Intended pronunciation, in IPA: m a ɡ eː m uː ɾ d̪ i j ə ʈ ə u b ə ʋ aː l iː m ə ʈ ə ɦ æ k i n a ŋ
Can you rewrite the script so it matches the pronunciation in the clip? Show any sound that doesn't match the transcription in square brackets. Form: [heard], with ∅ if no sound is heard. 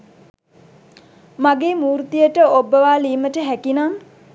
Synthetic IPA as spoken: m a ɡ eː m uː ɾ [t̪] i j ə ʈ ə [o] b ə ʋ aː l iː m ə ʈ ə ɦ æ k i n a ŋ

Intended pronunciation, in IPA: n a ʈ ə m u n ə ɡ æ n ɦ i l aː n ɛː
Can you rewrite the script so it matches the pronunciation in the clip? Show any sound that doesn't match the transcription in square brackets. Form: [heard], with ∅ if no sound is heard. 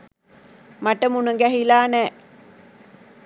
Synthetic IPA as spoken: [m] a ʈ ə m u n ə ɡ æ [∅] ɦ i l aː n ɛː

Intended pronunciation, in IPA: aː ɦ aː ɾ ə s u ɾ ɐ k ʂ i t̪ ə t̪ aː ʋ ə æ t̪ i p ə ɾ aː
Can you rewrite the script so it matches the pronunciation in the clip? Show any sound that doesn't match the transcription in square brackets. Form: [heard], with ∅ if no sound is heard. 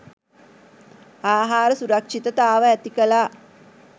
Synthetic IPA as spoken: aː ɦ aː ɾ ə s u ɾ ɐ k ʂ i t̪ ə t̪ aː ʋ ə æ t̪ i [k] ə [l] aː

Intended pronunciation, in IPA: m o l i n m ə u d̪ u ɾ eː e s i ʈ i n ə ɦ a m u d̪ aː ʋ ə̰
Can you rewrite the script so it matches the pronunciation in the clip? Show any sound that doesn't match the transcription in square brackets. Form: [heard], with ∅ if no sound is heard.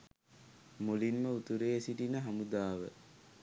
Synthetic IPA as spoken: m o l i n m ə u [t̪] u ɾ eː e s i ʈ i n ə ɦ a m u d̪ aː ʋ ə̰

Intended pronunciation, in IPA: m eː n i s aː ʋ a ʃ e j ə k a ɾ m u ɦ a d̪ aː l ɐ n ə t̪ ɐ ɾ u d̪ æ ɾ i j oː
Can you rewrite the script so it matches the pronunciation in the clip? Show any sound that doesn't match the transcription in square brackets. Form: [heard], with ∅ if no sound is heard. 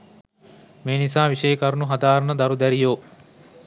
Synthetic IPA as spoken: m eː n i s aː ʋ [i] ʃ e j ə k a ɾ [n] u ɦ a d̪ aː [ɾ] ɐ n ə [d̪] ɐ ɾ u d̪ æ ɾ i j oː

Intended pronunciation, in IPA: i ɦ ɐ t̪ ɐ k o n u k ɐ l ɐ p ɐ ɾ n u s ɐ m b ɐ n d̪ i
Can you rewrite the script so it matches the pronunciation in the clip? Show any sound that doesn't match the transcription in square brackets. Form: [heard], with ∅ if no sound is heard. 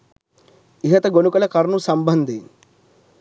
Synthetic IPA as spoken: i ɦ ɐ t̪ ɐ [ɡ] o n u k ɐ l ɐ [k] ɐ ɾ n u s ɐ m b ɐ n d̪ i

